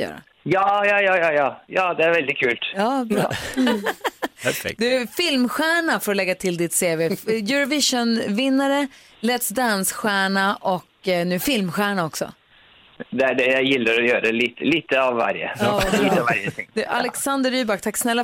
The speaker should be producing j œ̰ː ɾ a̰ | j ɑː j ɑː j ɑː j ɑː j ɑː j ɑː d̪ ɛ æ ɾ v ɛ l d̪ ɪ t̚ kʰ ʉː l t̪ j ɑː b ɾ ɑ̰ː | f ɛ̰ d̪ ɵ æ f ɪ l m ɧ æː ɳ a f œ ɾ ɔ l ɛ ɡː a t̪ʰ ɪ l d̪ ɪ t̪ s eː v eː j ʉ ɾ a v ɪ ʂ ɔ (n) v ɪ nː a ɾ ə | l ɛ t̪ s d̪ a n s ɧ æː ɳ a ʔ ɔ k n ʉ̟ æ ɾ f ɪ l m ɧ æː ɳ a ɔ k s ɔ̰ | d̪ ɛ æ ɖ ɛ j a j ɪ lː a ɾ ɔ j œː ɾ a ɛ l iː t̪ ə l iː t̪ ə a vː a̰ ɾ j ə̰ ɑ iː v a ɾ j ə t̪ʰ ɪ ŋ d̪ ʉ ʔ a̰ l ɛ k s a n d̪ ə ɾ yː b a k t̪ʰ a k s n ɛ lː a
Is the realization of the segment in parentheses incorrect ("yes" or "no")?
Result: no